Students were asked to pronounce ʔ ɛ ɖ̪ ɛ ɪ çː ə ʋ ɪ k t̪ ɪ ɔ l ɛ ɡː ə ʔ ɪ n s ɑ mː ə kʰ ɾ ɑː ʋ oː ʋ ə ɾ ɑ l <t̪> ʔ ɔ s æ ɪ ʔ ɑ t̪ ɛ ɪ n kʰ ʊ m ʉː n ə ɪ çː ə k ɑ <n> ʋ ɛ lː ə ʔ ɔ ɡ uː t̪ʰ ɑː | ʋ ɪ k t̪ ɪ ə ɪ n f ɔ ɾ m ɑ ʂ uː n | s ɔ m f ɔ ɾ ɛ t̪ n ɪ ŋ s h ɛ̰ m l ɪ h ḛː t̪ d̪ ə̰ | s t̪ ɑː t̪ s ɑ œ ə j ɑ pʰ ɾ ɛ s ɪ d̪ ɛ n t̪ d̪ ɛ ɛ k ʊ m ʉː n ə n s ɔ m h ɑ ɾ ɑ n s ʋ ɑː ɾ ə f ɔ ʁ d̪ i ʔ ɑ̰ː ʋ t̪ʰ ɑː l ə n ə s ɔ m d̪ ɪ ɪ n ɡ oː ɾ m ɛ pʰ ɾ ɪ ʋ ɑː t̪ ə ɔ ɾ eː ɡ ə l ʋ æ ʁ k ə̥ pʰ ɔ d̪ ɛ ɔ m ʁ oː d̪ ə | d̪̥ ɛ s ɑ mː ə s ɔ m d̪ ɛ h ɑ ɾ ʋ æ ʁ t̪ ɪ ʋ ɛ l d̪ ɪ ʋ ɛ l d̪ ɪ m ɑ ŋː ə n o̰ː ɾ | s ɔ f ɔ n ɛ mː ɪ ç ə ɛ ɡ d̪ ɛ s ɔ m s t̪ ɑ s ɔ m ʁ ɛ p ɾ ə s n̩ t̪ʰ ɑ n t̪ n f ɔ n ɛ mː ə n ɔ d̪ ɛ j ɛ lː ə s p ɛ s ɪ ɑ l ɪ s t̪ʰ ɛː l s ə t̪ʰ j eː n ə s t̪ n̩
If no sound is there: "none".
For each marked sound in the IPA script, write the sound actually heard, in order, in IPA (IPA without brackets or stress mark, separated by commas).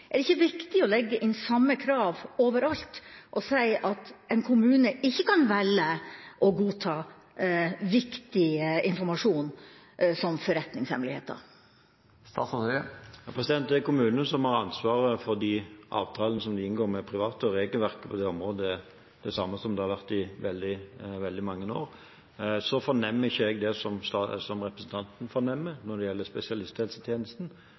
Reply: t̪, n